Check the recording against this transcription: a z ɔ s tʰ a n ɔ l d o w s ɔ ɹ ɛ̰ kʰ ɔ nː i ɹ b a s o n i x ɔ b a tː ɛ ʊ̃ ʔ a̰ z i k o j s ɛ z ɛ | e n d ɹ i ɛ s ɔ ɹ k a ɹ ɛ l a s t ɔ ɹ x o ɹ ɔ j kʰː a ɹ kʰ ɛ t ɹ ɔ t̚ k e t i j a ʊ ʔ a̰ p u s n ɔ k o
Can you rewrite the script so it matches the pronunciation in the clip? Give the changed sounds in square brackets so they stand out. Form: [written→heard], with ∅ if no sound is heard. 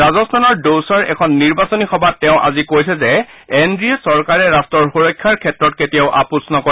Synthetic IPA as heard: a z ɔ s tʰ a n ɔ [l→ɹ] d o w s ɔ ɹ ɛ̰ kʰ ɔ nː i ɹ b a s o n i x ɔ b a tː ɛ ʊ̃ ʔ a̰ z i k o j s ɛ z ɛ | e n d ɹ i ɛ s ɔ ɹ k a ɹ ɛ [l→ɹ] a s t ɔ ɹ x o ɹ ɔ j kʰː a ɹ kʰ ɛ t ɹ ɔ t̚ k e t i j a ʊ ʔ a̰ p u s n ɔ k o